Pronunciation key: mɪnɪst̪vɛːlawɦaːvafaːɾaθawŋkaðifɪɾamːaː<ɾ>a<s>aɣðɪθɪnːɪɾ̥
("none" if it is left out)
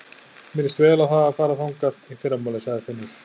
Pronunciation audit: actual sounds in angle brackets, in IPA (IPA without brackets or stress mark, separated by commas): l, s